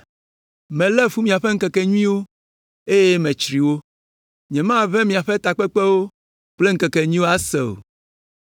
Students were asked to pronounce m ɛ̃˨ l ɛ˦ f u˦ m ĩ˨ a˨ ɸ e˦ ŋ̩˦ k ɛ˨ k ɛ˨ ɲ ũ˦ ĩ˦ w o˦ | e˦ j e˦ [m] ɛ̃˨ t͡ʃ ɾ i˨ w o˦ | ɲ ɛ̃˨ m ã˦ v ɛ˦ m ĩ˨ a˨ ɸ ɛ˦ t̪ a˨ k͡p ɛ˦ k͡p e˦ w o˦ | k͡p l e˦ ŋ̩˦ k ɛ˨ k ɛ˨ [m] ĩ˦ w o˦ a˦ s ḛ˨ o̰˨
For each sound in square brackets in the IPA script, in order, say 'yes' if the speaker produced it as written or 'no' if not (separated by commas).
yes, no